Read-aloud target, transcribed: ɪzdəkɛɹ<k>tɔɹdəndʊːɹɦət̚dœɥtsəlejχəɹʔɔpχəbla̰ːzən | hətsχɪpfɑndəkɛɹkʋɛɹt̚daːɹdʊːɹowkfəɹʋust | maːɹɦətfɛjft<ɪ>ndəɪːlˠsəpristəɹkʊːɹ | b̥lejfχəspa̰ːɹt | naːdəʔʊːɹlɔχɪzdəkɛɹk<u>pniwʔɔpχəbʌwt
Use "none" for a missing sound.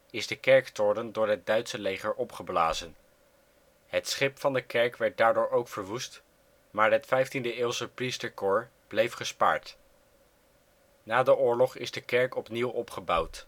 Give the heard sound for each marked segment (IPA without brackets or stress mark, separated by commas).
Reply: k, i, ɔ